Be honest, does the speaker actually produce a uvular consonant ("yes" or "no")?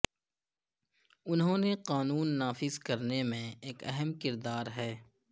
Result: yes